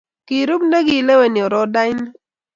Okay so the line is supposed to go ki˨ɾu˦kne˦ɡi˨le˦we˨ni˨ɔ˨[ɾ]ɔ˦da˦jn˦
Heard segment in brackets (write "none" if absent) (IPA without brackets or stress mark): ɾ